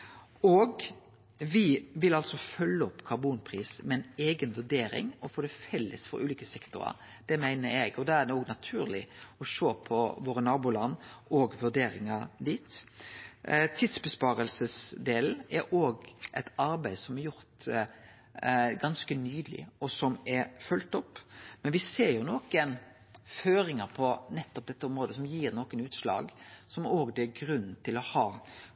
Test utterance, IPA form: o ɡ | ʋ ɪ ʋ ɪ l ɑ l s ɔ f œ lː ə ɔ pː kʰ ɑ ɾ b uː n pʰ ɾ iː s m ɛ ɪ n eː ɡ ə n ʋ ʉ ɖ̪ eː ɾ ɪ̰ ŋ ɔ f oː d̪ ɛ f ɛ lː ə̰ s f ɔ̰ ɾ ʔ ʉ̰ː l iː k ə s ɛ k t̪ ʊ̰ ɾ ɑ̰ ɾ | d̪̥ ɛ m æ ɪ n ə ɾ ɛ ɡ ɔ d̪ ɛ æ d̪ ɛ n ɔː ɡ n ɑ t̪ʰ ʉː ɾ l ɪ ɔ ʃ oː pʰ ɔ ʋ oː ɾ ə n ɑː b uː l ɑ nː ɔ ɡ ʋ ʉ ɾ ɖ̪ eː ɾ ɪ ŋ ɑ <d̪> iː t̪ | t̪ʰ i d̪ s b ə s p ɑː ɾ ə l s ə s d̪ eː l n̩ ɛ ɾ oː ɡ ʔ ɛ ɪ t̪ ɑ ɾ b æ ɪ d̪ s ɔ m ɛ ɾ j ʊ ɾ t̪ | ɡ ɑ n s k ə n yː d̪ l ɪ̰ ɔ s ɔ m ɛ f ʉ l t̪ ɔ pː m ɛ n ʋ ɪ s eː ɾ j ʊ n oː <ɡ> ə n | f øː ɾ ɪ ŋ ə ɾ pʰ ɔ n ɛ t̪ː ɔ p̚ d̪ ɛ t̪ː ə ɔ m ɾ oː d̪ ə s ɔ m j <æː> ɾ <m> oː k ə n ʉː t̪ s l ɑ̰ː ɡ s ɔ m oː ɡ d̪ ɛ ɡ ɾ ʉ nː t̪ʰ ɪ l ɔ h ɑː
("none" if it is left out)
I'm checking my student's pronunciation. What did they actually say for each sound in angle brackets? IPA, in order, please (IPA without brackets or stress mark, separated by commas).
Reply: d̪, k, iː, n